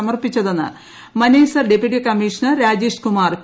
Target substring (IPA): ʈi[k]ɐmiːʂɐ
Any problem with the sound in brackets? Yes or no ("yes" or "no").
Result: no